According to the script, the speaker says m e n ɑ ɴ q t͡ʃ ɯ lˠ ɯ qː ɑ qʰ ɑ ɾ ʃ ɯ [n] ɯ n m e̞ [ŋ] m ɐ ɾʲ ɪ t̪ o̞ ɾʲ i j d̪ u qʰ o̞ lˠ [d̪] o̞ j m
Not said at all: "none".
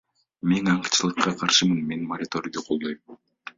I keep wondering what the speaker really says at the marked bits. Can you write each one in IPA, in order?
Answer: m, n, d̪

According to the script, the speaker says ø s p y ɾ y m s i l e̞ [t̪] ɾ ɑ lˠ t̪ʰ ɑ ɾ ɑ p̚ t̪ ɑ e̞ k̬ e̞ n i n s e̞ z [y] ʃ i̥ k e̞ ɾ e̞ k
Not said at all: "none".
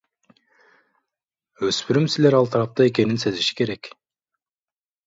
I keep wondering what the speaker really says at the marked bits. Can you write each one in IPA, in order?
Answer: none, i

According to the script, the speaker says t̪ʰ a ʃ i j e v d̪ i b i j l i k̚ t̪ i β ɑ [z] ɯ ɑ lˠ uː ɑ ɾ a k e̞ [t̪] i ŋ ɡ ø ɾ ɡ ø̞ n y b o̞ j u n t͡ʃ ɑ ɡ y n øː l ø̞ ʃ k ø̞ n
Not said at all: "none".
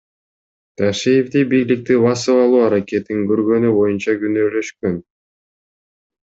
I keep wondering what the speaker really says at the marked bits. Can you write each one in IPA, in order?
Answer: s, t̪

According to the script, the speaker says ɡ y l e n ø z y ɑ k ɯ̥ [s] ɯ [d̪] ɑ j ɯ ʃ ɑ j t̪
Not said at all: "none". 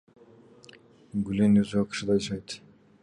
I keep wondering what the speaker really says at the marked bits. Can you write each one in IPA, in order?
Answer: ʃ, d̪

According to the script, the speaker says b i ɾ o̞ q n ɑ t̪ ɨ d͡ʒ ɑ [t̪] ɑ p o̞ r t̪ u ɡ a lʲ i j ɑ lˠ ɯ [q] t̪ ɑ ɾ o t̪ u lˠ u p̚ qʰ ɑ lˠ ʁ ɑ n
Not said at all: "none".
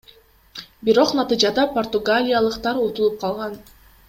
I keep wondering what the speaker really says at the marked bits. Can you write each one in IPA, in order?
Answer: d̪, q

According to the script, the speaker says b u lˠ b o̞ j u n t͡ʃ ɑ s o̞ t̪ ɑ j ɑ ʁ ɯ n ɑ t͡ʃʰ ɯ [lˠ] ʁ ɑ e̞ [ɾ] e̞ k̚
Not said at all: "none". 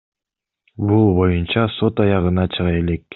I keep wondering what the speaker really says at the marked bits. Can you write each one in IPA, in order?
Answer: none, l

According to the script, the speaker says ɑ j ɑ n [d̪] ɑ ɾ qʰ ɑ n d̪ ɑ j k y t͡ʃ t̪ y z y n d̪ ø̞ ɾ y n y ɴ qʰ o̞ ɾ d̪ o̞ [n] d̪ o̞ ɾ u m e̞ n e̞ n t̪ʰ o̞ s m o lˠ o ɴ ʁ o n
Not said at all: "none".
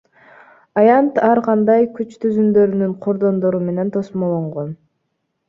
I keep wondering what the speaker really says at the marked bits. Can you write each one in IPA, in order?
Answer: t̪, n

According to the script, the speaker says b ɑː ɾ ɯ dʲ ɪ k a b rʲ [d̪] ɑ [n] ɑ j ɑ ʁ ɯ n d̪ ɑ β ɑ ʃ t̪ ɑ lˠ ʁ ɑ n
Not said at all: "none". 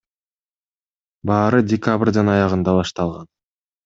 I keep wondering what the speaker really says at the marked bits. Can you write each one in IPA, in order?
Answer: d̪, n

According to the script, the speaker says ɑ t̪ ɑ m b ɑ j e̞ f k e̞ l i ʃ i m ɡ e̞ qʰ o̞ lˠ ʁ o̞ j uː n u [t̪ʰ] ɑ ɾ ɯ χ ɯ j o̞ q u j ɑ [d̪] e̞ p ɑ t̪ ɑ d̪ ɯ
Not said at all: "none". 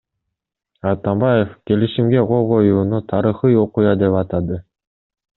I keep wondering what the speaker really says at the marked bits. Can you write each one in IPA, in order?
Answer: t̪ʰ, d̪

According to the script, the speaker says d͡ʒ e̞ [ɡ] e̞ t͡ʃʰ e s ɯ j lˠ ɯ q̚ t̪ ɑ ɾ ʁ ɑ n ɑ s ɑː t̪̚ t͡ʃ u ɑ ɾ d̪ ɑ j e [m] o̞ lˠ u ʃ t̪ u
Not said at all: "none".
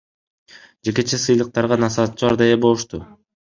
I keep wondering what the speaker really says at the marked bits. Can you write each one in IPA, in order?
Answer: k, b

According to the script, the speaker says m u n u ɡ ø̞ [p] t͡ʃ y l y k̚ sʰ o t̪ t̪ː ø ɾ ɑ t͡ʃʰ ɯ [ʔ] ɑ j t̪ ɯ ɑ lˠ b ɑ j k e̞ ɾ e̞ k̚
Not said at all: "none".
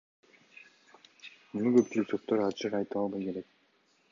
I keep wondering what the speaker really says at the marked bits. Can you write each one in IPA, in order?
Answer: p, q

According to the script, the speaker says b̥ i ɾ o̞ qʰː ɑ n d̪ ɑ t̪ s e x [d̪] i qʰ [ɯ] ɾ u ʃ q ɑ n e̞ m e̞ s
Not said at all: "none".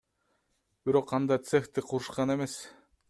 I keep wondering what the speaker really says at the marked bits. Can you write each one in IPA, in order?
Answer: t̪, u

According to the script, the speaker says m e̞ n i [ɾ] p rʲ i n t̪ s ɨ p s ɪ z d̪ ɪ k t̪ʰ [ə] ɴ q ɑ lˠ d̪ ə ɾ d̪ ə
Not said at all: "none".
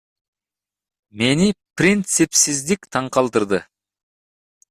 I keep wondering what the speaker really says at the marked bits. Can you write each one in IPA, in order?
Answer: none, ɑ

